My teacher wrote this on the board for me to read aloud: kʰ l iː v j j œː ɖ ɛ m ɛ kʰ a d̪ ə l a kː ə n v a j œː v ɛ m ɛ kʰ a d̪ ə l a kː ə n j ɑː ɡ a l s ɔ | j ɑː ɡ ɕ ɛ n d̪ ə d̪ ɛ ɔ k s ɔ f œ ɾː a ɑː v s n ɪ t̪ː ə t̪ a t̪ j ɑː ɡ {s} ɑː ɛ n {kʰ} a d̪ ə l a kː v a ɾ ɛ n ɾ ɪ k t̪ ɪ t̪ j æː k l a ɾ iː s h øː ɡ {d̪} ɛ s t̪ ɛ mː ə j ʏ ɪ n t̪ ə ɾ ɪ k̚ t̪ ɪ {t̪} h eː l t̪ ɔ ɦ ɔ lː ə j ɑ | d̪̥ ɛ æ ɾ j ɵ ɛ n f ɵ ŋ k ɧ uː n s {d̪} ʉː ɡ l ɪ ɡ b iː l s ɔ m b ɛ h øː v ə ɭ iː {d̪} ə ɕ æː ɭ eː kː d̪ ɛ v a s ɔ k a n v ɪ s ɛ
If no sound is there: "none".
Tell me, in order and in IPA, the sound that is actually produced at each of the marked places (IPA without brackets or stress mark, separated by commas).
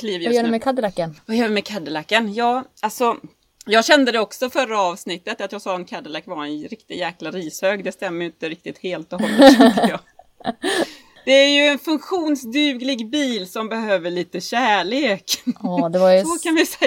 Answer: s, kʰ, d̪, t̪, d̪, t̪